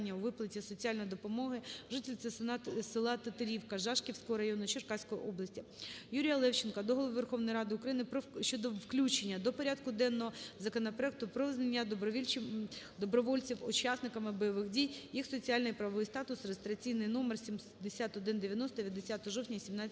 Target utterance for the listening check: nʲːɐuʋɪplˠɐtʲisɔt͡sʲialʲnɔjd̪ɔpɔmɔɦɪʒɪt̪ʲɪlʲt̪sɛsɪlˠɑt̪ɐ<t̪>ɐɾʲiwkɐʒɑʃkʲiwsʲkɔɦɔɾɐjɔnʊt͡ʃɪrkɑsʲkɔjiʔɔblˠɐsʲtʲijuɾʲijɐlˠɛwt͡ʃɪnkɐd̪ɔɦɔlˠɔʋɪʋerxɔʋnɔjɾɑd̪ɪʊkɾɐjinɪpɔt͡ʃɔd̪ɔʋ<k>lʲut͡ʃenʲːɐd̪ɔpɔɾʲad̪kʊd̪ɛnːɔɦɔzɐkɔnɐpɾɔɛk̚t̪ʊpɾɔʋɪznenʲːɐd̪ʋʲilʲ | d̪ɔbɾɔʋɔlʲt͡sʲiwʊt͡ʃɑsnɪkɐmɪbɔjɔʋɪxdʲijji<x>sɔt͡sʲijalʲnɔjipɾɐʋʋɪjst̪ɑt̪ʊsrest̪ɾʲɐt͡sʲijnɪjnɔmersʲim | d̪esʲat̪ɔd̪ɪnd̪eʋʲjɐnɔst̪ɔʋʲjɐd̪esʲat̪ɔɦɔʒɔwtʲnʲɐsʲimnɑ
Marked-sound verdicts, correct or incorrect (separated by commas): correct, correct, correct